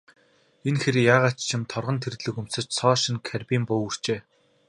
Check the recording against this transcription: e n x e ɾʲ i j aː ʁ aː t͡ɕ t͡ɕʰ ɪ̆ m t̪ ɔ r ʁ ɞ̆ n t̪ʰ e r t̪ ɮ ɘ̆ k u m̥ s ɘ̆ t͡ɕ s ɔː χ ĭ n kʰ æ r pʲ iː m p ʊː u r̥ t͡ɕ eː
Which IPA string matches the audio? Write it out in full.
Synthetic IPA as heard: e n x e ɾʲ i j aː ʁ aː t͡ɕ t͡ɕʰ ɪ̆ m t̪ʰ ɔ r ʁ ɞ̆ n t̪ʰ e r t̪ ɮ ɘ̆ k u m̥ s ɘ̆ t͡ɕ s ɔː ʃ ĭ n kʰ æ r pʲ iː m p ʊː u r̥ t͡ɕ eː